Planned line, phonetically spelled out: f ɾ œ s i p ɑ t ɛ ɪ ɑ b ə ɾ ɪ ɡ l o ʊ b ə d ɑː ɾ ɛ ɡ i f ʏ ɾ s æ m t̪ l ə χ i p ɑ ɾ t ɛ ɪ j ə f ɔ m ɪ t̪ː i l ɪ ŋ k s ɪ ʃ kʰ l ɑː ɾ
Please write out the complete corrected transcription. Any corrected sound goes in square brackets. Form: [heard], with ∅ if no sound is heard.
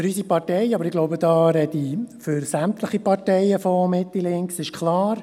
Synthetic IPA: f ɾ [y] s i p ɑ t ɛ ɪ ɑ b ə ɾ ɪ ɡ l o ʊ b ə d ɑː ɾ ɛ [d] i f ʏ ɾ s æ m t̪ l ə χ i p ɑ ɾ t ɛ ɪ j ə f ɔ m ɪ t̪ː i l ɪ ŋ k s ɪ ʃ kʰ l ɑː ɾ